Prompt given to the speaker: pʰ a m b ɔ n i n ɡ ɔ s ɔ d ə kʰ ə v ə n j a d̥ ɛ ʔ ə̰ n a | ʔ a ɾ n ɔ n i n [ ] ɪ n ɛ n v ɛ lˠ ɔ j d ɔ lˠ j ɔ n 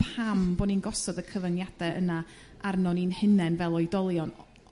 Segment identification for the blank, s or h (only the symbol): h